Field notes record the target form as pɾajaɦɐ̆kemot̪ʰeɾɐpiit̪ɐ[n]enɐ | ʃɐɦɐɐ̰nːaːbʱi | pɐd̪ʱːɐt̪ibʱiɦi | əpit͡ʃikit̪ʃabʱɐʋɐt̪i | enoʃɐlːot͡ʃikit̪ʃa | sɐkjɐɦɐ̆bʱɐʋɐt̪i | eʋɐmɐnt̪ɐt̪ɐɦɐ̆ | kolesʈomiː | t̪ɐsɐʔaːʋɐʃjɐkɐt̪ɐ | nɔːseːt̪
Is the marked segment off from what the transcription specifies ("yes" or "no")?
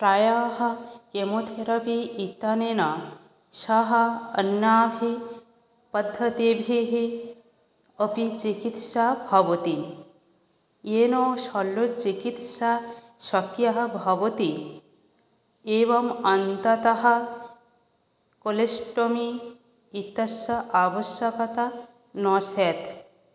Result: no